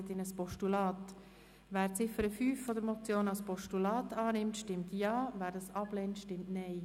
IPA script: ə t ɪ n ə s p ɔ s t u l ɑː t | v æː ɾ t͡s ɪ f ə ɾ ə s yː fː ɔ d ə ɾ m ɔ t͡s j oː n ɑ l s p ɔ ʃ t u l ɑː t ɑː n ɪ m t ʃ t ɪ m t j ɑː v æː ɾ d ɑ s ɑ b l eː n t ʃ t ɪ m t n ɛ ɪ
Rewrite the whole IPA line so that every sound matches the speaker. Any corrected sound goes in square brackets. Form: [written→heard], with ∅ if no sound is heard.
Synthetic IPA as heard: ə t ɪ n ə s p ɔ [s→ʃ] t u l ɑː t | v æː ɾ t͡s ɪ f ə ɾ ə [s→f] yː fː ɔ d ə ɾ m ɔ t͡s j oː n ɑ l s p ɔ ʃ t u l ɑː t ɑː n ɪ m t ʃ t ɪ m t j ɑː v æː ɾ d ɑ s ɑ b l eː n t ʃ t ɪ m t n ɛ ɪ